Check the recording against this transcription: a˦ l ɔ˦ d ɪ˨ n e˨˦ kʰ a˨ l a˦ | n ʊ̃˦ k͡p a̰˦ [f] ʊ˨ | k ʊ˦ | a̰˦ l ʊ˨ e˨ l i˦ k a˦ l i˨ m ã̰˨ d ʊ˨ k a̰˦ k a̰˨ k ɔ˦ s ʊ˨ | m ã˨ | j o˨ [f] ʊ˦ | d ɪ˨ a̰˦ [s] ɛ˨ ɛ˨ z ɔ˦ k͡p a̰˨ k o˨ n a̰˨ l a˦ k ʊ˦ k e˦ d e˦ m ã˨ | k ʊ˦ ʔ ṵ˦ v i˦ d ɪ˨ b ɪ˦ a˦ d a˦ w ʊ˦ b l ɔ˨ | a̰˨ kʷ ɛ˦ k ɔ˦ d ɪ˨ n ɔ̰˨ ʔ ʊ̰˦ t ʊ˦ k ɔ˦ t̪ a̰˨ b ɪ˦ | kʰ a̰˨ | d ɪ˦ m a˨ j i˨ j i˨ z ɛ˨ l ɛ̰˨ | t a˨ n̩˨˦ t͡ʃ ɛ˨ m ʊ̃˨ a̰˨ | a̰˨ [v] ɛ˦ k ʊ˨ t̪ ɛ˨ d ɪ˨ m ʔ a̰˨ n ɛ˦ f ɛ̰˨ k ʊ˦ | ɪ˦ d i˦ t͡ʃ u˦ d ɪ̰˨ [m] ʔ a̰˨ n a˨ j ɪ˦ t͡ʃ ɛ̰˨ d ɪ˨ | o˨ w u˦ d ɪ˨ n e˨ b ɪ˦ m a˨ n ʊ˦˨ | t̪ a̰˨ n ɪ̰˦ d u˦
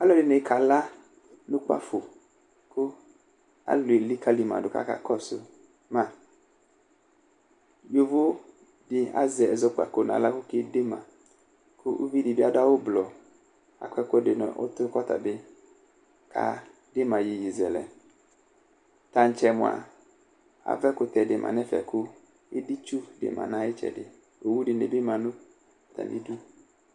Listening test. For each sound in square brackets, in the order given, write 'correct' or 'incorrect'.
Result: correct, incorrect: v, incorrect: z, correct, correct

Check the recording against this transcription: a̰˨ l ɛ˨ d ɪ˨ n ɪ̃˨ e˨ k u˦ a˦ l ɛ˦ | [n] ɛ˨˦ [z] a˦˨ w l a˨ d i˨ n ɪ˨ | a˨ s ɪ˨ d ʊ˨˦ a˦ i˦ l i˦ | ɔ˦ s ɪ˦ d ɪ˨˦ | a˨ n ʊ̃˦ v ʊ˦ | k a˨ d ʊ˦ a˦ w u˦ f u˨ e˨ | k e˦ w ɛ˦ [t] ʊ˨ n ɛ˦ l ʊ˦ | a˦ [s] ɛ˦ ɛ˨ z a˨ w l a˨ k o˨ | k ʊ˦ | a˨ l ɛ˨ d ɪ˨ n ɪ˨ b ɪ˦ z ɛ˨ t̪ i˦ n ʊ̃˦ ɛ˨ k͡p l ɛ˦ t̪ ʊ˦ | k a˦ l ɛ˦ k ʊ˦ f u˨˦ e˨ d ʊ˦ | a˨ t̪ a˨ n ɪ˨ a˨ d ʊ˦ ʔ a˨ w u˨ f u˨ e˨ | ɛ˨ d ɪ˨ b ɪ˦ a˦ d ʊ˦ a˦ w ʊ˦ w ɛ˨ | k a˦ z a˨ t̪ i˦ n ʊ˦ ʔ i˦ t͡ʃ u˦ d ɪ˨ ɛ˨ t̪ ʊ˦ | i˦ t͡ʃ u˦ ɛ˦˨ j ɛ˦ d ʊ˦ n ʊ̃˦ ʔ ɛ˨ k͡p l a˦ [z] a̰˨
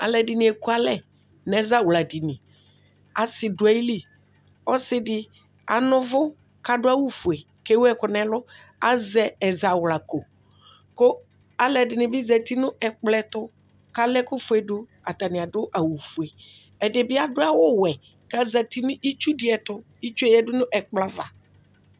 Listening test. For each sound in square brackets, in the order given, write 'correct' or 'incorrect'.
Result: correct, correct, incorrect: k, incorrect: z, incorrect: v

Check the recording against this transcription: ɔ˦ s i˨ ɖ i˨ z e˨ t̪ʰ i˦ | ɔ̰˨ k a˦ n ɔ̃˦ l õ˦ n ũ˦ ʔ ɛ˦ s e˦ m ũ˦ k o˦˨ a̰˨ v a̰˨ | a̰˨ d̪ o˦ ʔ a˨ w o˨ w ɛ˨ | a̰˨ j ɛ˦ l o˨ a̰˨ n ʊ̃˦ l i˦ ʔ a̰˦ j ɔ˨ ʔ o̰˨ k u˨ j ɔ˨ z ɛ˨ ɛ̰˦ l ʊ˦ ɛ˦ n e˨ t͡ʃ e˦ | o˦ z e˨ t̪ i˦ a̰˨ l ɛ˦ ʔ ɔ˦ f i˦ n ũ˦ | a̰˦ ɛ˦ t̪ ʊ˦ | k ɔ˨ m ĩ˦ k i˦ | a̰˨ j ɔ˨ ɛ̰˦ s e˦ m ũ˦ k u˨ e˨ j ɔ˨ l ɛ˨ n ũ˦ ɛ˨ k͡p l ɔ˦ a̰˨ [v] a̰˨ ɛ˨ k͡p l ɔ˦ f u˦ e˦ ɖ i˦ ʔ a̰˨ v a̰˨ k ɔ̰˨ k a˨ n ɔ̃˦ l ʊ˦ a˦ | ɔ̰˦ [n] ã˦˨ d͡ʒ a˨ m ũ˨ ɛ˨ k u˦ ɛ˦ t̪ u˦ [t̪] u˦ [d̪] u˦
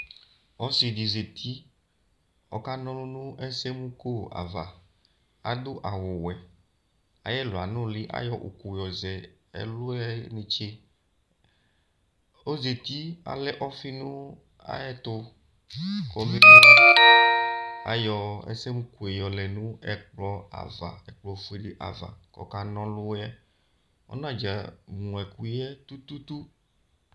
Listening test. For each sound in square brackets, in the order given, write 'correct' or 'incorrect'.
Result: correct, correct, correct, incorrect: t̪

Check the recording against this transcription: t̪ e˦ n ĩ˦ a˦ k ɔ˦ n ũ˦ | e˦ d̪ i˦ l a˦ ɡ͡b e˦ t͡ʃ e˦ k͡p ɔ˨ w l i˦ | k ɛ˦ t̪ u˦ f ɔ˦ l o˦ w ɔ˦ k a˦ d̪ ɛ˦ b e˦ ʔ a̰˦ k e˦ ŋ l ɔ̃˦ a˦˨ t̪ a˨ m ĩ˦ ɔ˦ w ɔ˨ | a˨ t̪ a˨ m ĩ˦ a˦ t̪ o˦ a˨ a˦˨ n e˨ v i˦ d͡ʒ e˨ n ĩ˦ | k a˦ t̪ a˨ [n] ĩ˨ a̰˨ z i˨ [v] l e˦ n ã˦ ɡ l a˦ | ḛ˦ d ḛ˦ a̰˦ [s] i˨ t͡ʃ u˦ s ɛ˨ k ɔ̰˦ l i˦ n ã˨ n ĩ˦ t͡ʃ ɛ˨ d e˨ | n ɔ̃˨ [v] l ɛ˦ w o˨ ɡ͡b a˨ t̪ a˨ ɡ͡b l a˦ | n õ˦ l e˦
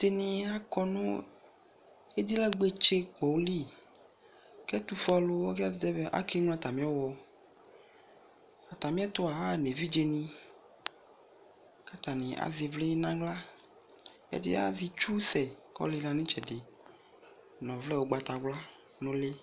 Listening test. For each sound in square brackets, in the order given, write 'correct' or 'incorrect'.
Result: correct, correct, incorrect: z, correct

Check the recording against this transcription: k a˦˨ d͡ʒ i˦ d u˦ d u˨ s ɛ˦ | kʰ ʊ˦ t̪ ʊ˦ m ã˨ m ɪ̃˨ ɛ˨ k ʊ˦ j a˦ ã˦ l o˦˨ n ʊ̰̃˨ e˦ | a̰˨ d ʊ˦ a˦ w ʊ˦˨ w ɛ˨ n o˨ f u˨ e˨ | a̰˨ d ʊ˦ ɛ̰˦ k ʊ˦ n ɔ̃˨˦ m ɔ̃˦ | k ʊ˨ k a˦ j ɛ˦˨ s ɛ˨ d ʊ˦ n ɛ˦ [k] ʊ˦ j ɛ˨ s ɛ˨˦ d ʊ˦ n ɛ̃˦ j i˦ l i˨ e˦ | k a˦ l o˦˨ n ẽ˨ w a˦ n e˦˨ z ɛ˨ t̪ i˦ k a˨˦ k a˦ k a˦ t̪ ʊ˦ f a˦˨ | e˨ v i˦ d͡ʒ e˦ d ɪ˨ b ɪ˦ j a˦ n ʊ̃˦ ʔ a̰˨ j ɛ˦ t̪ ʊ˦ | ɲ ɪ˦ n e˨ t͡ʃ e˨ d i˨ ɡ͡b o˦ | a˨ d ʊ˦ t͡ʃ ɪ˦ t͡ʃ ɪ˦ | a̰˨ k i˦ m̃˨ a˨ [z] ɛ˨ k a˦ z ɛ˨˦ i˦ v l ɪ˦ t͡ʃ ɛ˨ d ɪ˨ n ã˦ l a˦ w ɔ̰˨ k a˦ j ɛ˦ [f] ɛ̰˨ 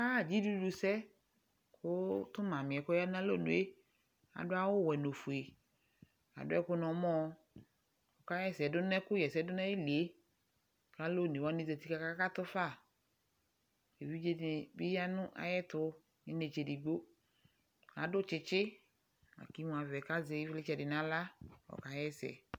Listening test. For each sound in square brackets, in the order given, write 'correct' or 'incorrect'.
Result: correct, incorrect: v, incorrect: s

